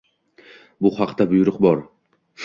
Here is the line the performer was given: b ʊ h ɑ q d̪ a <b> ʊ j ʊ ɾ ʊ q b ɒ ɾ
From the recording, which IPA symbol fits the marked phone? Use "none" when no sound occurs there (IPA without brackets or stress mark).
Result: b